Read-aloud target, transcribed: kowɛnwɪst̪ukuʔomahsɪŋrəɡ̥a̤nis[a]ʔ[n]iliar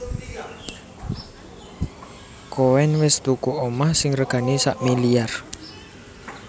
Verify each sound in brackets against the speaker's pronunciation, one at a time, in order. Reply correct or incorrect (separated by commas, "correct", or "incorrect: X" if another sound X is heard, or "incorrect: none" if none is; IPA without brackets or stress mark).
correct, incorrect: m